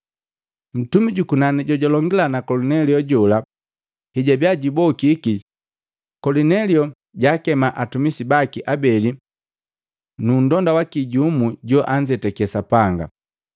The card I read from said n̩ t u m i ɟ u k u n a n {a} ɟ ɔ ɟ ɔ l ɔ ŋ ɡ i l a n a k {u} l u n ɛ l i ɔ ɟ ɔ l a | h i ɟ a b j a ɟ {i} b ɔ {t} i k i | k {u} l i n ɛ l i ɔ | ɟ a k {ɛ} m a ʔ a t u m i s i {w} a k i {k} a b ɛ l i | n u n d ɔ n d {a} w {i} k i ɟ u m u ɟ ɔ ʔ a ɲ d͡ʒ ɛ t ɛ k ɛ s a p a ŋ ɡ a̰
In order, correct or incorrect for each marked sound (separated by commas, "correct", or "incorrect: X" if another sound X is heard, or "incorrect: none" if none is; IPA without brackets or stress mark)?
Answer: incorrect: i, incorrect: ɔ, correct, incorrect: k, incorrect: ɔ, correct, incorrect: b, incorrect: ʔ, correct, incorrect: a